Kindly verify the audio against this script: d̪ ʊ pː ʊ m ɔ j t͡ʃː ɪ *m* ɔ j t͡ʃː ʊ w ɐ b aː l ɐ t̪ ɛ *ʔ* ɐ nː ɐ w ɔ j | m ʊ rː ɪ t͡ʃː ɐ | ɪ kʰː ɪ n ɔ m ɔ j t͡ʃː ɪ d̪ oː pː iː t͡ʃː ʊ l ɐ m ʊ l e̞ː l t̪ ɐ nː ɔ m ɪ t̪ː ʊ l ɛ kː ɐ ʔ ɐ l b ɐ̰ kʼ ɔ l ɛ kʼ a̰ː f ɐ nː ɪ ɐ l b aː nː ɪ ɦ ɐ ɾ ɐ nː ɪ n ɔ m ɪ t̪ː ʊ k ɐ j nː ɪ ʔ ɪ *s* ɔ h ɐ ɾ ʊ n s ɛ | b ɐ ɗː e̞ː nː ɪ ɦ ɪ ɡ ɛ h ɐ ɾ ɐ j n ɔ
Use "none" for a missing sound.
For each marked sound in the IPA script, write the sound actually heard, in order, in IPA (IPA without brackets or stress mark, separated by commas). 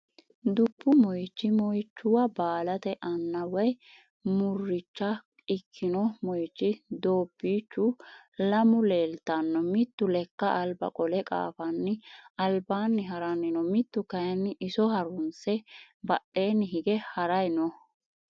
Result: m, ʔ, s